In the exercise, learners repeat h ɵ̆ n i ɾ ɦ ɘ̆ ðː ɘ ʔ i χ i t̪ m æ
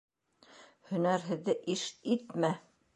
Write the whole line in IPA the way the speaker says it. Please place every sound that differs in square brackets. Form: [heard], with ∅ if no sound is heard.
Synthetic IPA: h ɵ̆ n [æ] ɾ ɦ ɘ̆ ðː ɘ ʔ i [ʃ] i t̪ m æ